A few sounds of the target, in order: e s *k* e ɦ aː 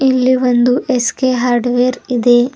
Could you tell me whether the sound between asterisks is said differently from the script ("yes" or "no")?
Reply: no